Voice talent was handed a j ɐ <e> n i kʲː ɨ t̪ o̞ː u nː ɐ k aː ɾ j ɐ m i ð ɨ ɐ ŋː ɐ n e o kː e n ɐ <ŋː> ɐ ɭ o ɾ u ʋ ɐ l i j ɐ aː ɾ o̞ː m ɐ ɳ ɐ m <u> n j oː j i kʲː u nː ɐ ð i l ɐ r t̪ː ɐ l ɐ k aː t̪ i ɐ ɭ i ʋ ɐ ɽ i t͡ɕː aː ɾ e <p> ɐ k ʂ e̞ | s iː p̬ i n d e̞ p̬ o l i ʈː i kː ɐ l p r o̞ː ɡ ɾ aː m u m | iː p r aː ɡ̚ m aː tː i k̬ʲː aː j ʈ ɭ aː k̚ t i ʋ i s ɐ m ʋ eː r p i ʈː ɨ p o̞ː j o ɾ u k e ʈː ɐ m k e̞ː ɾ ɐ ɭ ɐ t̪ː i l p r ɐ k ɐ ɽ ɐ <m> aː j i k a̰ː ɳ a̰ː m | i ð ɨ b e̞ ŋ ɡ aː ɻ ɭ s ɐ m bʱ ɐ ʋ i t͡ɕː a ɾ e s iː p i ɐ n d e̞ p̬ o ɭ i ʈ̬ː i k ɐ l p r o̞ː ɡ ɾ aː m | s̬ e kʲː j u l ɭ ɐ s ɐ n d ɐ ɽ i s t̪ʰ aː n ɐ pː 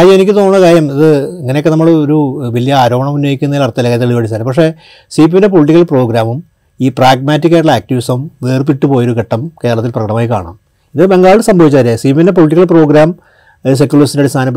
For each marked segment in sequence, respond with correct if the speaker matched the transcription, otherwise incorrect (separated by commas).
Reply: correct, incorrect, correct, correct, correct